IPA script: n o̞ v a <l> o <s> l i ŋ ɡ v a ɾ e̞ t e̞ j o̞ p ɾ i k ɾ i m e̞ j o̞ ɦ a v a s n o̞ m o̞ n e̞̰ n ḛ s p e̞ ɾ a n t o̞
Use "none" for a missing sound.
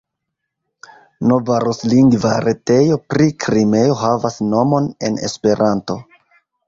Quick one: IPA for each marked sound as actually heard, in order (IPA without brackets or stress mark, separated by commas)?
ɾ, s